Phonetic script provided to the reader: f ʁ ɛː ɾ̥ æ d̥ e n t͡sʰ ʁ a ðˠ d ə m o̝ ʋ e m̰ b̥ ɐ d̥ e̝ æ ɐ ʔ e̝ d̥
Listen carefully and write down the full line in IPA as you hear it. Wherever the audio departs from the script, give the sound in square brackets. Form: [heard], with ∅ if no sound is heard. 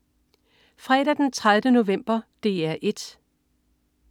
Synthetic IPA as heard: f ʁ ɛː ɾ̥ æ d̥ e n t͡sʰ ʁ a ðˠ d ə [n] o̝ ʋ e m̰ b̥ ɐ d̥ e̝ æ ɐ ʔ e̝ d̥

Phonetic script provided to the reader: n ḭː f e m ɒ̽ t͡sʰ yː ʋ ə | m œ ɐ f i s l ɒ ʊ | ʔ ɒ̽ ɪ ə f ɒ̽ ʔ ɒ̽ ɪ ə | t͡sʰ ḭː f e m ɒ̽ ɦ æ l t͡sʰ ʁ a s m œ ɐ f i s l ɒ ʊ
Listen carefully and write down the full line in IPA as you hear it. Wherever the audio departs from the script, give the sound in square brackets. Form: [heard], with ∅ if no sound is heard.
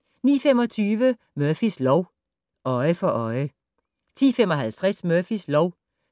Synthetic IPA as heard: n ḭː f e m ɒ̽ t͡sʰ yː ʋ ə | m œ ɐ f i s l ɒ ʊ | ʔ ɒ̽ ɪ ə f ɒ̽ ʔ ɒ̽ ɪ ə | t͡sʰ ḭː f e m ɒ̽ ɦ æ l t͡sʰ ʁ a s m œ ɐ f i s l ɒ ʊ

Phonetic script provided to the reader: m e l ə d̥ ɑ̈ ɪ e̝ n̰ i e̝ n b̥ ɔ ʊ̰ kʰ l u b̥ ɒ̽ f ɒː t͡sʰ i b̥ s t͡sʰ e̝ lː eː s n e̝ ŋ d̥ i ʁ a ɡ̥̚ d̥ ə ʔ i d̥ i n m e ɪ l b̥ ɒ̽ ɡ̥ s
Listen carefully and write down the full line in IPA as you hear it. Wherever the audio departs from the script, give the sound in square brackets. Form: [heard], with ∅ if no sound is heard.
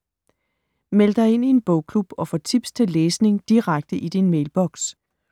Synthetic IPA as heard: m e l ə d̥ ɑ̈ ɪ e̝ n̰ i e̝ n b̥ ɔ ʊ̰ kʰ l u b̥ ɒ̽ f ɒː t͡sʰ i b̥ s t͡sʰ e̝ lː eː s n e̝ ŋ d̥ i ʁ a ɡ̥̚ d̥ ə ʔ i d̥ i n m e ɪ l b̥ ɒ̽ ɡ̥ s

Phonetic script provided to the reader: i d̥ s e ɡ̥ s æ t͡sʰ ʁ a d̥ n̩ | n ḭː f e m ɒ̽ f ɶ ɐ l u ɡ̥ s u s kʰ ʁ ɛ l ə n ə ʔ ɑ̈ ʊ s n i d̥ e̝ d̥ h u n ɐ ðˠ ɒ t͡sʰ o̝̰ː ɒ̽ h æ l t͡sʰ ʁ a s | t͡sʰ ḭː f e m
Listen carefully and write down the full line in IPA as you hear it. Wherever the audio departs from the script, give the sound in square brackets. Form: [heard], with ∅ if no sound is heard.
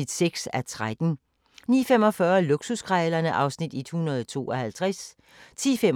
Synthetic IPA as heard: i d̥ s e ɡ̥ s æ t͡sʰ ʁ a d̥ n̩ | n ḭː f e m ɒ̽ f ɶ ɐ l u ɡ̥ s u s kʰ ʁ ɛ l [ɐ] n ə ʔ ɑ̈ ʊ s n i d̥ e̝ d̥ h u n ɐ ðˠ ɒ t͡sʰ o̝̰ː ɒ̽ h æ l t͡sʰ ʁ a s | t͡sʰ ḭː f e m

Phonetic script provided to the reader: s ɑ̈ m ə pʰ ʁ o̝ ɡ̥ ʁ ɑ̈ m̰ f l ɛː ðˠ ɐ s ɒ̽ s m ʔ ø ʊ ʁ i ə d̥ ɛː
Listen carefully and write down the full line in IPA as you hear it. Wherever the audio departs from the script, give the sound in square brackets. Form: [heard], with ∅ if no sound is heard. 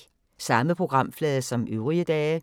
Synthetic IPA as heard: s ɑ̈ m ə pʰ ʁ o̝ ɡ̥ ʁ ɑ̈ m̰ f l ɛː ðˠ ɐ s ɒ̽ [∅] m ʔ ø ʊ ʁ i ə d̥ ɛː

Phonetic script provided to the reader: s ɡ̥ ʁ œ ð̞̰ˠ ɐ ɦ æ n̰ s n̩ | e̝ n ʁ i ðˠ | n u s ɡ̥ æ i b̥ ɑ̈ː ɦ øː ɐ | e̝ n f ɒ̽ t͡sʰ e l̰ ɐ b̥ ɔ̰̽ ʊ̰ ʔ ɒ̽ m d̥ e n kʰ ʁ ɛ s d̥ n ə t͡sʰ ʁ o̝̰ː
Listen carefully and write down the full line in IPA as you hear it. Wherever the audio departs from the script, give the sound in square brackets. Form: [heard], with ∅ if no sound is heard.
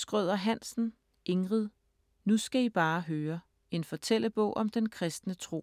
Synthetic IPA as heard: s ɡ̥ ʁ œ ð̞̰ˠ ɐ ɦ æ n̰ s n̩ | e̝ [ŋ] ʁ i ðˠ | n u s ɡ̥ æ i b̥ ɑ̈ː ɦ øː ɐ | e̝ n f ɒ̽ t͡sʰ e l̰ [ə] b̥ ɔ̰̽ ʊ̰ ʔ ɒ̽ m d̥ e n kʰ ʁ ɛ s d̥ n ə t͡sʰ ʁ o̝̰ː

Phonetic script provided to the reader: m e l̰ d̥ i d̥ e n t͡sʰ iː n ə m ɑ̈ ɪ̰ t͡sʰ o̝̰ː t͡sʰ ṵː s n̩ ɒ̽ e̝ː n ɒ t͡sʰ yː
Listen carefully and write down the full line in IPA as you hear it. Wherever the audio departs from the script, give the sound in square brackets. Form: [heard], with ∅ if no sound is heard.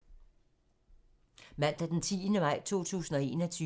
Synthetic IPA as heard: m [æ] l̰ d̥ [æ] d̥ e n t͡sʰ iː n ə m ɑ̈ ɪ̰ t͡sʰ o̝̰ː t͡sʰ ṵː s n̩ ɒ̽ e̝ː n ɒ t͡sʰ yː

